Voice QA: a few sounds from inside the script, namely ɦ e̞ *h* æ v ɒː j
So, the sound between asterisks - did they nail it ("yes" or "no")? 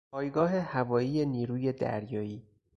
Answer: yes